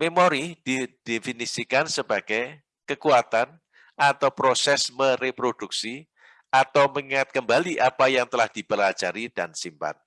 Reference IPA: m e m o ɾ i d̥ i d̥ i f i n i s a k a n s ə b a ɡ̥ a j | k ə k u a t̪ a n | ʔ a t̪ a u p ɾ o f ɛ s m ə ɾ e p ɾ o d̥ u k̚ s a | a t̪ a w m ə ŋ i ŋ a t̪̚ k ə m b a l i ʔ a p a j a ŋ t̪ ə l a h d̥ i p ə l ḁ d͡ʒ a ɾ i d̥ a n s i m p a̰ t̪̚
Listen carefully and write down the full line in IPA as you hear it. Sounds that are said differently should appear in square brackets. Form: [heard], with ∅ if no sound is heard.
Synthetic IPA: m e m o ɾ i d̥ i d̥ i f i n i s [i] k a n s ə b a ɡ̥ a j | k ə k u a t̪ a n | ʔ a t̪ a [w] p ɾ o [s] ɛ s m ə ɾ e p ɾ o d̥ u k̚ s [i] | a t̪ a w m ə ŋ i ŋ a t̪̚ k ə m b a l i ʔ a p a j a ŋ t̪ ə l a h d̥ i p ə l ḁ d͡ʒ a ɾ i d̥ a n s i m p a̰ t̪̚